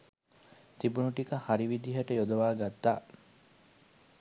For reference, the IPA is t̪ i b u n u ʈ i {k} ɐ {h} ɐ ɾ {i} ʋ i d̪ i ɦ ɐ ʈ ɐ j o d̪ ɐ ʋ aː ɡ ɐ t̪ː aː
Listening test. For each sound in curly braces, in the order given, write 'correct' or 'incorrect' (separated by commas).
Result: correct, correct, correct